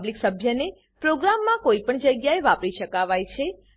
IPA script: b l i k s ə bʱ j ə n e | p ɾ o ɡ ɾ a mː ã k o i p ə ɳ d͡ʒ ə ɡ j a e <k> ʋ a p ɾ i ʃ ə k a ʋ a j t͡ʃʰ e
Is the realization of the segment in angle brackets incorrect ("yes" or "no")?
yes